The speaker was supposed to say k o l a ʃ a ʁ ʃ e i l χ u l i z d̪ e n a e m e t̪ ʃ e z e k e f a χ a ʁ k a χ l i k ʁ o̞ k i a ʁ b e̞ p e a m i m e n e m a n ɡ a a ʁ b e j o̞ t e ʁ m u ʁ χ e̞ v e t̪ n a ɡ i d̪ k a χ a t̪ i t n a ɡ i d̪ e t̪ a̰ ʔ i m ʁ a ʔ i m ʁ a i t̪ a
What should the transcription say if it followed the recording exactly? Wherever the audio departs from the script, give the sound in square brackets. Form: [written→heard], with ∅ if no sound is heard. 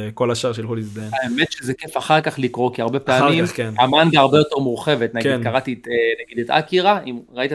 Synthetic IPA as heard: k o l a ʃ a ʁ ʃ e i l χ u l i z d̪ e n a e m e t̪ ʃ e z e k e f a χ a ʁ k a χ l i k ʁ o̞ k i a ʁ b e̞ p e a m i m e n [e→a] m a n ɡ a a ʁ b e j o̞ t e ʁ m u ʁ χ e̞ v e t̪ n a ɡ i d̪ k a [χ→ʁ] a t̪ i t n a ɡ i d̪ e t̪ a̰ [ʔ→k] i [m→∅] ʁ a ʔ i m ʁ a i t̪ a